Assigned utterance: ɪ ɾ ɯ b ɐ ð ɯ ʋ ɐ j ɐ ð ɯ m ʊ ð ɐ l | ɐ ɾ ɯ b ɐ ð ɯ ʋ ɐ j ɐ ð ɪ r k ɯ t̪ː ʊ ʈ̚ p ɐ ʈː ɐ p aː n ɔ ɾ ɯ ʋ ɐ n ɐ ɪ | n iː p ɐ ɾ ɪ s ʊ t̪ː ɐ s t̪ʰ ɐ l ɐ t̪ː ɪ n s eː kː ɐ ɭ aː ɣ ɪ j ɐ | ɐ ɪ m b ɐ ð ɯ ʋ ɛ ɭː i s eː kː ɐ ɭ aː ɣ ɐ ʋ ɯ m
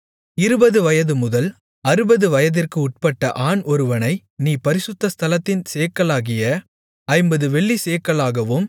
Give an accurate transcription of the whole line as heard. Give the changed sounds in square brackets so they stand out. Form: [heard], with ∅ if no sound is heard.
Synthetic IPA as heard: ɪ ɾ ɯ b ɐ ð ɯ ʋ ɐ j ɐ ð ɯ m ʊ ð ɐ l | ɐ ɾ ɯ b ɐ ð ɯ ʋ ɐ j ɐ ð ɪ r k ɯ [∅] ʊ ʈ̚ p ɐ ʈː ɐ [ʔ] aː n ɔ ɾ ɯ ʋ ɐ n ɐ ɪ | n iː p ɐ ɾ ɪ s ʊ t̪ː ɐ s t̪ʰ ɐ l ɐ t̪ː ɪ n s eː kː ɐ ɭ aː ɣ ɪ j ɐ | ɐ ɪ m b ɐ ð ɯ ʋ ɛ ɭː i s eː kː ɐ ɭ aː ɣ ɐ ʋ ɯ m